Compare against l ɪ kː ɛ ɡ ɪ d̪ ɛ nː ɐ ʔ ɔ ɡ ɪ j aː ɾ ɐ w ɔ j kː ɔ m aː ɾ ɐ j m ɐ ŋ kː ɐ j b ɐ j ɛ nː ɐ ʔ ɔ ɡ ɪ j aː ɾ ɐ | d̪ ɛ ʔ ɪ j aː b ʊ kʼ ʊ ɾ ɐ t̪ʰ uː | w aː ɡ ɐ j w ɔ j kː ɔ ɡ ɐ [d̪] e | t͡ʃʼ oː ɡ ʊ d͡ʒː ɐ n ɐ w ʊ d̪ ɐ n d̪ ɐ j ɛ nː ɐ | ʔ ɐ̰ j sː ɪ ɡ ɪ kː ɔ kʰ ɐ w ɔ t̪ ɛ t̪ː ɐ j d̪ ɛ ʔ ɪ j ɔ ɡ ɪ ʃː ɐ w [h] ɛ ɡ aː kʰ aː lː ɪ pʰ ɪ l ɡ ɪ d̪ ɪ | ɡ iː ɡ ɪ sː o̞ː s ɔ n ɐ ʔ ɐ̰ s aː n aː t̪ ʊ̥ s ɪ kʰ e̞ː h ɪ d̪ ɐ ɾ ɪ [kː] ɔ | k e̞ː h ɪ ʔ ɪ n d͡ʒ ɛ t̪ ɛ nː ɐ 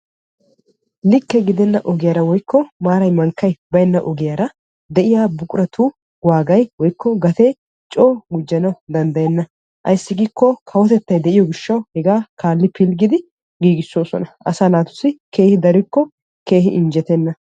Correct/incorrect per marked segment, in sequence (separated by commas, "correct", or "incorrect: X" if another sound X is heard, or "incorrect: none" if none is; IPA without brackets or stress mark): incorrect: t̪, correct, correct